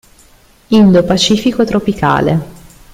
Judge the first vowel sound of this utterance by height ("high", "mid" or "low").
high